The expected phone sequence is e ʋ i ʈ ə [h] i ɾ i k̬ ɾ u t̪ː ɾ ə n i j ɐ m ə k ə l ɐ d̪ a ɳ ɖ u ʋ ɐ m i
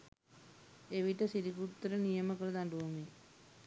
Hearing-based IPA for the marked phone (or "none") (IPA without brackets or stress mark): s